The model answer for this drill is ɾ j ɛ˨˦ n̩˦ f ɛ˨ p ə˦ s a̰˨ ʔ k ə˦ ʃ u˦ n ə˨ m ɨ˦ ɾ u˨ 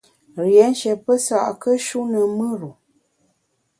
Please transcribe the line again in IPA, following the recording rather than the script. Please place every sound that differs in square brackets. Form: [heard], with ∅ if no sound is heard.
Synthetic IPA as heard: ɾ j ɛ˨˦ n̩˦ [ʃ] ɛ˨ p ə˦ s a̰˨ ʔ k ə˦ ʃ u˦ n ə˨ m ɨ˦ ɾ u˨